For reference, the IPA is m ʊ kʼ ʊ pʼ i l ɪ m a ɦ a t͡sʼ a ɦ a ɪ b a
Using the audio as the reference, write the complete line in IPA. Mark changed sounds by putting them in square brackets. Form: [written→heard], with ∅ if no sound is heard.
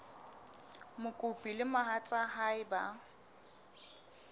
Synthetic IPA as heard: m ʊ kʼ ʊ pʼ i l ɪ m a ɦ a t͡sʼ a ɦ a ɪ b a

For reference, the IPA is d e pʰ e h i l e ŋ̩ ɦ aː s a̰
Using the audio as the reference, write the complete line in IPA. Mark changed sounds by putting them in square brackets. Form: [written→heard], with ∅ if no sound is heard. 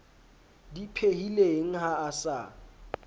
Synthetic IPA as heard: d [e→i] pʰ e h i l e ŋ̩ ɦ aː s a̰

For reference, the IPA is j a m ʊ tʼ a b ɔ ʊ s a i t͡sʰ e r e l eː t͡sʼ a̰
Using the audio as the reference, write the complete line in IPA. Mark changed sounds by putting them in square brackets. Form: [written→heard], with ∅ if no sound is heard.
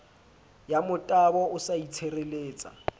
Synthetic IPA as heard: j a m ʊ tʼ a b ɔ ʊ s a i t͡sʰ e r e l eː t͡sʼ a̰

